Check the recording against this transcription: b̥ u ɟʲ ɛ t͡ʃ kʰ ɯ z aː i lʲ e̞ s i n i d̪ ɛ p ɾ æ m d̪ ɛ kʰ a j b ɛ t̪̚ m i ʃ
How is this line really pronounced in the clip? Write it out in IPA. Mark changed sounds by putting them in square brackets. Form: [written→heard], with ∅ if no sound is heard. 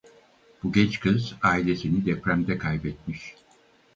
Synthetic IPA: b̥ u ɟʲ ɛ t͡ʃ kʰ ɯ z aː i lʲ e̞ s i n i d̪ ɛ p ɾ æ m d̪ ɛ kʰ a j b ɛ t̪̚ m i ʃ